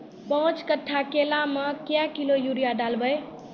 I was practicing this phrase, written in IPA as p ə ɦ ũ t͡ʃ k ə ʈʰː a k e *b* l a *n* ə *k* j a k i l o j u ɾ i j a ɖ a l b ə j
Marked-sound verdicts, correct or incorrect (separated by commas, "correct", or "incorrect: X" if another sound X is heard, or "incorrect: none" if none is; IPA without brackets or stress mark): incorrect: none, incorrect: m, correct